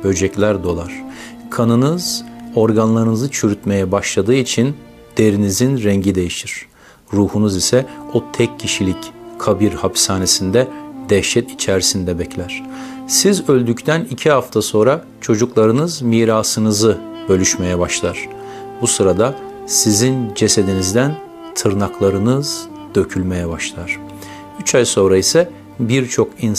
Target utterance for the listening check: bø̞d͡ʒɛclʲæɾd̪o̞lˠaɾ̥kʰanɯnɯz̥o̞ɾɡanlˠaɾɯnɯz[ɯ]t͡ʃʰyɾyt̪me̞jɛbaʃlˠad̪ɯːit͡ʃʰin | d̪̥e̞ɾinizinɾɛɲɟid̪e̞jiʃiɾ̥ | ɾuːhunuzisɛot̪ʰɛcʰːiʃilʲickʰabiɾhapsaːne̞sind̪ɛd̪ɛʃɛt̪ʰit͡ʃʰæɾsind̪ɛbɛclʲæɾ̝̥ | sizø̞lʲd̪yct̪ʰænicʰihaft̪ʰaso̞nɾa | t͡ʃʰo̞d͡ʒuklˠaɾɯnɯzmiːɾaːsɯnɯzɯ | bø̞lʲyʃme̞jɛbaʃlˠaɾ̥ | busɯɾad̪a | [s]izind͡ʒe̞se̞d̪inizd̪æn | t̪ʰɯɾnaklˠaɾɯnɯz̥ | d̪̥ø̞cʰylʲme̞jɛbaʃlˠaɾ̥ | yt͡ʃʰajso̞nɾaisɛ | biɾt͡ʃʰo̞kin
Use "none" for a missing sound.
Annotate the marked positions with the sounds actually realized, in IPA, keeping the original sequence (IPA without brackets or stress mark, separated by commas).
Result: ɯ, s